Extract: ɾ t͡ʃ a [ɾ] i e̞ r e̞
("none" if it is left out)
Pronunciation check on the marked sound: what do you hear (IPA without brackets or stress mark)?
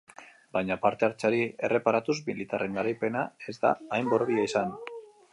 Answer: ɾ